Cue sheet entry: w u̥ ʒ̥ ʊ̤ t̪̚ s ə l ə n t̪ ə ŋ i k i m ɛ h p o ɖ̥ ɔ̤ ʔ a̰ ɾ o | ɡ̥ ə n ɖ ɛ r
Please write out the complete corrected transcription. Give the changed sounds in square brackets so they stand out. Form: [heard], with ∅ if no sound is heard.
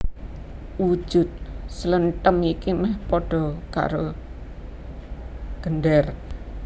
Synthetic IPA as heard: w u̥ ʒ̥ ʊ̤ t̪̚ s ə l ə n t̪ ə [m] i k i m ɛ h p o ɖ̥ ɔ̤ [k] a̰ ɾ o | ɡ̥ ə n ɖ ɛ r